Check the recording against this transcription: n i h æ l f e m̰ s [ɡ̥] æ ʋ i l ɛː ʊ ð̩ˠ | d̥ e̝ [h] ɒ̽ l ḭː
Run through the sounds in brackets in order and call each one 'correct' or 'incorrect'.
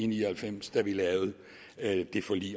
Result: incorrect: d̥, incorrect: f

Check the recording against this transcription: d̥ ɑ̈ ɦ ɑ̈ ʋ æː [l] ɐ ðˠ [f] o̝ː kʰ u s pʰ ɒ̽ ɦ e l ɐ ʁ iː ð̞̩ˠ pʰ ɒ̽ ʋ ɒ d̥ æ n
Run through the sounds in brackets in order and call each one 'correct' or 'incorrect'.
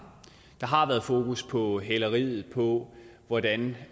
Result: incorrect: none, correct

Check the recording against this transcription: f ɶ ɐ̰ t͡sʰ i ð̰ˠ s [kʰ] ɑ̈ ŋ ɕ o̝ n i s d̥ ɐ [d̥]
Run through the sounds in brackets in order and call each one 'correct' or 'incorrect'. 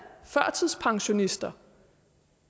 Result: incorrect: pʰ, incorrect: none

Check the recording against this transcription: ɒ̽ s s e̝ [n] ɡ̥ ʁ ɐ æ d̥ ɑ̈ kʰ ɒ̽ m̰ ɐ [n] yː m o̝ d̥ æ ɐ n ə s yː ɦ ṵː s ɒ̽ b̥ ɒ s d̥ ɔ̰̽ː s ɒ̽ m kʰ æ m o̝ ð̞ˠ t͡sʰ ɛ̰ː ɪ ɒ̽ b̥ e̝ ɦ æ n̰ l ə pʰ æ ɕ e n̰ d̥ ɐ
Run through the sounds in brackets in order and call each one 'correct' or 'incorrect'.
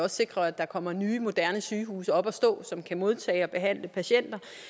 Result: incorrect: none, correct

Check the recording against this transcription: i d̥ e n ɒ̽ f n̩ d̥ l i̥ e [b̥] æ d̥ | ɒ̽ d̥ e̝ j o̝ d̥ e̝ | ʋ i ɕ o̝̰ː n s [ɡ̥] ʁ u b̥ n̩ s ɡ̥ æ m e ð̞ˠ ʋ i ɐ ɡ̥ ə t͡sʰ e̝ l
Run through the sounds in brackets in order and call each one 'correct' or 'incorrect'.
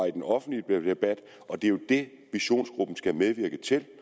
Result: correct, correct

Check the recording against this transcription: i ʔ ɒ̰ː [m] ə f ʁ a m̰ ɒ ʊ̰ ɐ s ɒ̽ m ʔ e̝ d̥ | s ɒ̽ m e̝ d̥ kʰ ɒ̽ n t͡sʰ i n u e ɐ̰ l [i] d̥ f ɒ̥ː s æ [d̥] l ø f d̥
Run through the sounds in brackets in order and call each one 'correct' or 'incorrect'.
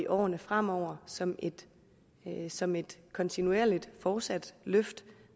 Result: incorrect: n, correct, correct

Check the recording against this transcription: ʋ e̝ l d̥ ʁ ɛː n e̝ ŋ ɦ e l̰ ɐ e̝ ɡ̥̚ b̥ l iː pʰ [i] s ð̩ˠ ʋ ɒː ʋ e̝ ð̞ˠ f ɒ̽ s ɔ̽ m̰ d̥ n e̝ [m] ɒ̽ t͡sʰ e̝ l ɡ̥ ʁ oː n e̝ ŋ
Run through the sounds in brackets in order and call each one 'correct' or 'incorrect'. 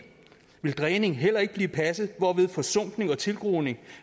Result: incorrect: æ, incorrect: ŋ

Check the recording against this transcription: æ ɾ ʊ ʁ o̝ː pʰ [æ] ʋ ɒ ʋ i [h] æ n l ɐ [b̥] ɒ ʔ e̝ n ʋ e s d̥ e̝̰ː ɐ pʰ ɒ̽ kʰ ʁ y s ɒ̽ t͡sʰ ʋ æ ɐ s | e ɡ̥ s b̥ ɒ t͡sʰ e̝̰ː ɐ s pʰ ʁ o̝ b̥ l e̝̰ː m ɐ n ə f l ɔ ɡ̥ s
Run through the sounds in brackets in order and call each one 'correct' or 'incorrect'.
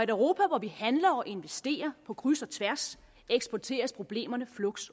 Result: correct, correct, incorrect: none

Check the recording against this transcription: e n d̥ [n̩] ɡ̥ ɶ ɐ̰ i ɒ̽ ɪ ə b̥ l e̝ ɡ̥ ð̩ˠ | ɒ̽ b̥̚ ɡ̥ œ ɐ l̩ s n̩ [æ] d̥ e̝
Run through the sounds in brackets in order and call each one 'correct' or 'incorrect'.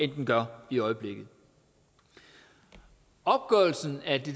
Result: correct, correct

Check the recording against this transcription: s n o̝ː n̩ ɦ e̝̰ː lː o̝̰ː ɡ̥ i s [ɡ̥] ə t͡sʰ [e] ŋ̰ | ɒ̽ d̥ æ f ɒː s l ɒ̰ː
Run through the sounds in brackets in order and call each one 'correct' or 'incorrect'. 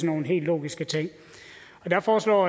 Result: correct, correct

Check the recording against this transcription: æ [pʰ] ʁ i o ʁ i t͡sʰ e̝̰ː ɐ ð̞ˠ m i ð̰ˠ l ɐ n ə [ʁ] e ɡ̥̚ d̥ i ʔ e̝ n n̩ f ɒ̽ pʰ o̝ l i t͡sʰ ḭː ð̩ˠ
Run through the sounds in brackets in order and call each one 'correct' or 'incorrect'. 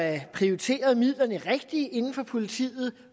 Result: correct, correct

